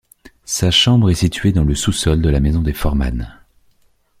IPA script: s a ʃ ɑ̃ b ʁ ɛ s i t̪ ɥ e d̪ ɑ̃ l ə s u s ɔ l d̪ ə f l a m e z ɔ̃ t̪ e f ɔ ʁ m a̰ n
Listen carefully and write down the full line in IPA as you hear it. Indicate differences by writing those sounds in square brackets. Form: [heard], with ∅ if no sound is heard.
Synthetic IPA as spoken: s a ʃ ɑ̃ b ʁ ɛ s i t̪ ɥ e d̪ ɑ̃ l ə s u s ɔ l d̪ ə [∅] l a m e z ɔ̃ [d̪] e f ɔ ʁ m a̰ n